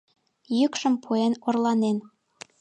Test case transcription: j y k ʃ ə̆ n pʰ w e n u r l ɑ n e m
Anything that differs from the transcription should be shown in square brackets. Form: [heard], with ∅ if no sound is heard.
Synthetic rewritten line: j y k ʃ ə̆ [m] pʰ [u] e n [o] r l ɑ n e [n]